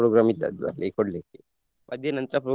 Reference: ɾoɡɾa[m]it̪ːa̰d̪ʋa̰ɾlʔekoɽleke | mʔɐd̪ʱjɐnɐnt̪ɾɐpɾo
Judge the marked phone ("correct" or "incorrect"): correct